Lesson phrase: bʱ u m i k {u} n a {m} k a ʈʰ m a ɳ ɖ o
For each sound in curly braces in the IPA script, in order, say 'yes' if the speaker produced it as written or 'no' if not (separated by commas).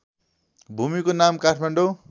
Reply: no, yes